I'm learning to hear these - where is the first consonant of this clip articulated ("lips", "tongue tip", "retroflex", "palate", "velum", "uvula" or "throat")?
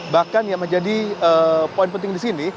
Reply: lips